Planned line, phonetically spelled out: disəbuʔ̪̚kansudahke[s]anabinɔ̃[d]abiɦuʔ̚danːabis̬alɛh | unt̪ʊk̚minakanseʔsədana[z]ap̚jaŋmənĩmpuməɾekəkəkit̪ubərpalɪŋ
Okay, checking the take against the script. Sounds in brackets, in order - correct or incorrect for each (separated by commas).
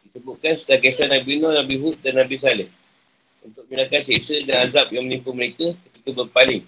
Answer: correct, incorrect, correct